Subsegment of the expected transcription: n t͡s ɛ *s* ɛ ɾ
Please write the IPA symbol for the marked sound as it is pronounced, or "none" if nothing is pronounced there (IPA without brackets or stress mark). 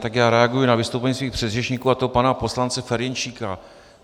f